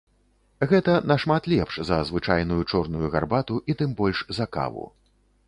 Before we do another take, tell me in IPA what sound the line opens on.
ɣ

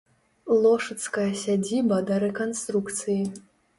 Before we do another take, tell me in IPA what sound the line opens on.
lˠ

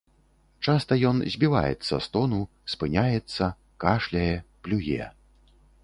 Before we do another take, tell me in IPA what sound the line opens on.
t͡ʂ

